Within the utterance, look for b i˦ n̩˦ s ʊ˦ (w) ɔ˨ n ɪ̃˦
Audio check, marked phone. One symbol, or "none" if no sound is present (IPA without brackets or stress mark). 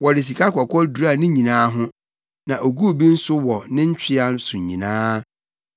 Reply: w